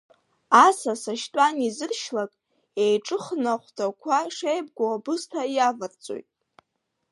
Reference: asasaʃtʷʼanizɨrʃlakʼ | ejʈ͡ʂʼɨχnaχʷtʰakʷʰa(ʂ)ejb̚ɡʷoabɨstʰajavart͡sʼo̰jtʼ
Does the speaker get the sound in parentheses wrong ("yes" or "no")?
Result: no